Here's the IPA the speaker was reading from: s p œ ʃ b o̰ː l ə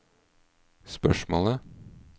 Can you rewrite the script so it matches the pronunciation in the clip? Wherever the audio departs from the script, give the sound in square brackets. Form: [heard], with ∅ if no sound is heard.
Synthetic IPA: s p œ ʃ [m] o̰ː l ə